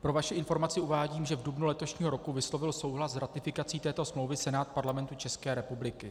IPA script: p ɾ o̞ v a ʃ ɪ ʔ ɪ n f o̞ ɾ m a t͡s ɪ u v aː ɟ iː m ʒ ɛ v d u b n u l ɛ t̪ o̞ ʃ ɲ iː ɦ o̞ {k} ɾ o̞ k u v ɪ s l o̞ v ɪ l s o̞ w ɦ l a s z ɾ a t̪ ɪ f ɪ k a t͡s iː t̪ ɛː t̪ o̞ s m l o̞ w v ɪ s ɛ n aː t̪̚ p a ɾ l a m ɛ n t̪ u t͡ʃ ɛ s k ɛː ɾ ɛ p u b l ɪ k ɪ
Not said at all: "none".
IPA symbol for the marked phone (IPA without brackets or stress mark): none